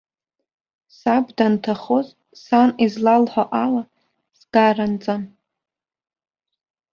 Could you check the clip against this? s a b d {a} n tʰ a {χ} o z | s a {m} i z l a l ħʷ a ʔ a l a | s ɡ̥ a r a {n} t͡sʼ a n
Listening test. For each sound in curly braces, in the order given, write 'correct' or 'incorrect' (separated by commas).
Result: correct, correct, incorrect, correct